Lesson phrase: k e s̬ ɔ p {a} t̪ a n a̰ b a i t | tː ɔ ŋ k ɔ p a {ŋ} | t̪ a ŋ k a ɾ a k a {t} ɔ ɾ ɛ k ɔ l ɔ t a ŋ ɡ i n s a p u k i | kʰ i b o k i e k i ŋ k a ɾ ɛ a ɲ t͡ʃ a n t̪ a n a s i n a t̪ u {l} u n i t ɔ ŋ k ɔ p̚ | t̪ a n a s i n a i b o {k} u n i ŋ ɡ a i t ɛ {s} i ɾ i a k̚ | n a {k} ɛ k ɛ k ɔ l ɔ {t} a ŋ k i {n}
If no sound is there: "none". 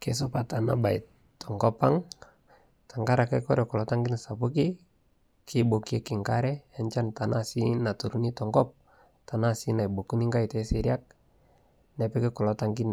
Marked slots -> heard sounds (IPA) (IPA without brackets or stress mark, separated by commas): a, ŋ, k, ɾ, k, s, p, t, n